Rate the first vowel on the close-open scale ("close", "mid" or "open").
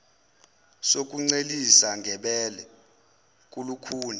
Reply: mid